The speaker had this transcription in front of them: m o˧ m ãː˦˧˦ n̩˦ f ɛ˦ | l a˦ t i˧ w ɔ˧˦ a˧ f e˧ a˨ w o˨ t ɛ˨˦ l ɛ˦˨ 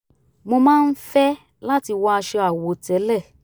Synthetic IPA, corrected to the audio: m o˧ m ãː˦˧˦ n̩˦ f ɛ˦ | l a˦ t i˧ w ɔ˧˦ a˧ ʃ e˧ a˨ w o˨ t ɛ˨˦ l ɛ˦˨